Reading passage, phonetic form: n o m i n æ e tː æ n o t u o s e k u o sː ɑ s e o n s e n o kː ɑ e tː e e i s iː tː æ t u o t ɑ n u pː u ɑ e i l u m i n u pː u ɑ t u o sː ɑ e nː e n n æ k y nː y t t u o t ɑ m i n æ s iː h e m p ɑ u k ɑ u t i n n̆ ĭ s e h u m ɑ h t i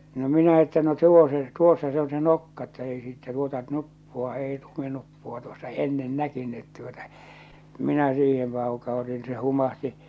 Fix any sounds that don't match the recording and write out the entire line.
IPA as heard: n o m i n æ e tː æ n o t u o s e t u o sː ɑ s e o n s e n o kː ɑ e tː æ e i s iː tː æ t u o t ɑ n u pː u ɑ e i l u m i n u pː u ɑ t u o sː ɑ e nː e n n æ k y nː y t t u o t ɑ m i n æ s iː h e m p ɑ u k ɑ u t i n n̆ ĭ s e h u m ɑ h t i